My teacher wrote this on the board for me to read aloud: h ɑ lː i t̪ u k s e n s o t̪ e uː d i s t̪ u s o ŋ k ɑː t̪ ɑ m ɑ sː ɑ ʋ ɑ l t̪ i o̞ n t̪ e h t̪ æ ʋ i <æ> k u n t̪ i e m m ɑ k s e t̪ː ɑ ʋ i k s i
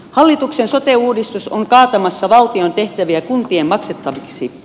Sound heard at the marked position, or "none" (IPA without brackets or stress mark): æ